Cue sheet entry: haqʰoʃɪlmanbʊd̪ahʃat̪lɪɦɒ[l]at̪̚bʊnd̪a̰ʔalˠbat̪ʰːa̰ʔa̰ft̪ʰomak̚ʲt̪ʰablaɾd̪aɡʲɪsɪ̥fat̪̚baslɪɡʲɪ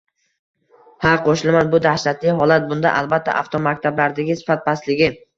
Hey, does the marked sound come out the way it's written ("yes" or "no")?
yes